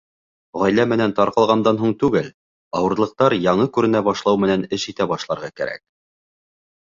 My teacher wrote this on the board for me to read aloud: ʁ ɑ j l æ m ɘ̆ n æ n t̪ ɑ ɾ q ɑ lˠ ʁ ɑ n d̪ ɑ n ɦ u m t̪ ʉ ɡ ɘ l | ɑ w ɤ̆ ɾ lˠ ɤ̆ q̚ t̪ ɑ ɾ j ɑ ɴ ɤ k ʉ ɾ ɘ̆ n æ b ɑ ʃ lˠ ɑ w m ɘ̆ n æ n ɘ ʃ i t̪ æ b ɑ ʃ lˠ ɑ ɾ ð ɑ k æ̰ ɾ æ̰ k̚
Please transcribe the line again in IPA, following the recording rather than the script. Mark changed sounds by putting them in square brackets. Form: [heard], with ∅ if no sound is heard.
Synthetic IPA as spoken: ʁ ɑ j l æ m ɘ̆ n æ n t̪ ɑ ɾ q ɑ lˠ ʁ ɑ n d̪ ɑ n ɦ u [ɴ] t̪ ʉ ɡ ɘ l | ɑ w ɤ̆ ɾ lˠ ɤ̆ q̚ t̪ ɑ ɾ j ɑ ɴ ɤ k ʉ ɾ ɘ̆ n æ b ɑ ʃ lˠ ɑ w m ɘ̆ n æ n ɘ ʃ i t̪ æ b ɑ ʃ lˠ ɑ ɾ [ʁ] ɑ k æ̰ ɾ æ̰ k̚